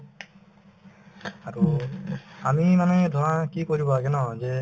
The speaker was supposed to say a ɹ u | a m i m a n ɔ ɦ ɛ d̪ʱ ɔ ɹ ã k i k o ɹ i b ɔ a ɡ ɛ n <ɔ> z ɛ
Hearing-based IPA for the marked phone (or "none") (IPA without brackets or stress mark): ɔ